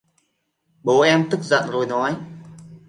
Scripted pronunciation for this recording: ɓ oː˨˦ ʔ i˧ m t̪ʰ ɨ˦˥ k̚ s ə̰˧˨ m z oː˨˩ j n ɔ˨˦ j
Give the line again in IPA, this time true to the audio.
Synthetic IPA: ɓ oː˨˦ ʔ ɛ˧ m t̪ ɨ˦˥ k̚ z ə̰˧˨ n z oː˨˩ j n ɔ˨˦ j